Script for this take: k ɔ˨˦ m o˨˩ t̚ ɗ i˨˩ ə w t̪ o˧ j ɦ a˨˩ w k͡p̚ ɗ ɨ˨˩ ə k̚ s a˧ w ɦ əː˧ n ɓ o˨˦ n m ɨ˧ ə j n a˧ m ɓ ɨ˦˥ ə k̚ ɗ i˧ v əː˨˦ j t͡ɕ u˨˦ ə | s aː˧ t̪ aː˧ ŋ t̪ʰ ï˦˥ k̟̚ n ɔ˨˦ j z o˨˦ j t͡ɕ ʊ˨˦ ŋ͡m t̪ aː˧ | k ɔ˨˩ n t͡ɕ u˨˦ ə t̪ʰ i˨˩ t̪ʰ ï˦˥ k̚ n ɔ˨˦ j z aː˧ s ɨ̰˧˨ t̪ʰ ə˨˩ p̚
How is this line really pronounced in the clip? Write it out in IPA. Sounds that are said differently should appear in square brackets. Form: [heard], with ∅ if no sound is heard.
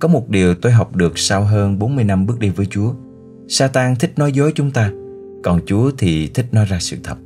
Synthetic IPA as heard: k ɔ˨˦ m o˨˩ t̚ ɗ i˨˩ ə w t̪ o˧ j ɦ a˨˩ w k͡p̚ ɗ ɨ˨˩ ə k̚ s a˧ w ɦ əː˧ n ɓ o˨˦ n m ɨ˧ ə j n a˧ m ɓ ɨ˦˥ ə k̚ ɗ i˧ v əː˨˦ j t͡ɕ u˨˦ ə | s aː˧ t̪ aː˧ ŋ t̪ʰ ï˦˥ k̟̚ n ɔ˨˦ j z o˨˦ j t͡ɕ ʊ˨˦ ŋ͡m t̪ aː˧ | k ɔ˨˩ n t͡ɕ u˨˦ ə t̪ʰ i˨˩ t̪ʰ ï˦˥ k̚ n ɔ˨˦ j z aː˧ s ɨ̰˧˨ t̪ʰ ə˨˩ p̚